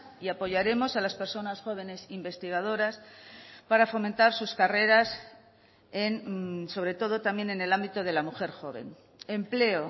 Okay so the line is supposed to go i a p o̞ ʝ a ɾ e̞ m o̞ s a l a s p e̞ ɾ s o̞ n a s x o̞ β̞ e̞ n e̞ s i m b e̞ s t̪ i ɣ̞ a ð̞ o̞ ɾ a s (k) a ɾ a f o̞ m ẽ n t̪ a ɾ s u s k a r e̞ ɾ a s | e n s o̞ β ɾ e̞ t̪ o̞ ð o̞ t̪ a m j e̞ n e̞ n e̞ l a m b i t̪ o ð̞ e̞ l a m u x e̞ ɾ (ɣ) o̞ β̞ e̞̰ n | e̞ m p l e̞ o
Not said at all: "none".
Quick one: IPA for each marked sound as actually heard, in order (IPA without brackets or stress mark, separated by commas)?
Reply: p, x